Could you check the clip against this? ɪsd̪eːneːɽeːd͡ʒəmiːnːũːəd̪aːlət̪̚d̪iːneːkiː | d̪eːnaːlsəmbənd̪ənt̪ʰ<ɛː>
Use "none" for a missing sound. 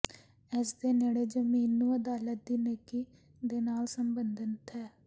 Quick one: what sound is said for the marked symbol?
ɛː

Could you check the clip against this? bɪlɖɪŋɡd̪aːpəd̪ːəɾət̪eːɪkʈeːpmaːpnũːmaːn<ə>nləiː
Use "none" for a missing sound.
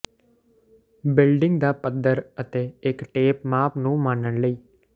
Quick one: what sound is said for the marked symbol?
ə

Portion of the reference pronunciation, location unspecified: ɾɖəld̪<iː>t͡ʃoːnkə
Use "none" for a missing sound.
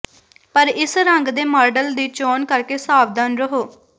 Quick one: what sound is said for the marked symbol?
iː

